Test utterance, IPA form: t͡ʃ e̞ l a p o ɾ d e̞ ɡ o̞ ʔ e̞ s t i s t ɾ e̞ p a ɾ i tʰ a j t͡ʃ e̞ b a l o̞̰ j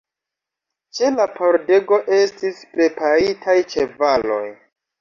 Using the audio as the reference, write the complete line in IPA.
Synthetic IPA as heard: t͡ʃ e̞ l a p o ɾ d e̞ ɡ o̞ ʔ e̞ s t i s p ɾ e̞ p a ɾ i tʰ a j t͡ʃ e̞ v a l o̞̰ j